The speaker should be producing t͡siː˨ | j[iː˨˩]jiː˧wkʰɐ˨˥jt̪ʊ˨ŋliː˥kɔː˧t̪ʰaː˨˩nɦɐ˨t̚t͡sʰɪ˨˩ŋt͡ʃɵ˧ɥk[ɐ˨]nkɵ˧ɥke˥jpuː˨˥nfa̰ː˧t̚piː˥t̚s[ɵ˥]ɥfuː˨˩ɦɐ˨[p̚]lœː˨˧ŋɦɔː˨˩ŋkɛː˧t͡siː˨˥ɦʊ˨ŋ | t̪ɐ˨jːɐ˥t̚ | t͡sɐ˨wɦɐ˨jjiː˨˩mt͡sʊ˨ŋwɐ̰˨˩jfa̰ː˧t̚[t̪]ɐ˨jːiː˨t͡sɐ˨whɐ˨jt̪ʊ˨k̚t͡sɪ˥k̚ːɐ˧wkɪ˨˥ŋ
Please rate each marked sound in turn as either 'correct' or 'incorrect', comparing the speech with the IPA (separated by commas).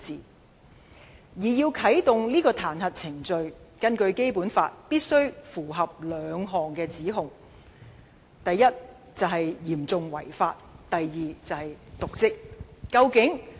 correct, incorrect, correct, correct, correct